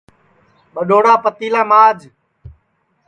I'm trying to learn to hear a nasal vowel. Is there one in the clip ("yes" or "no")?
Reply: no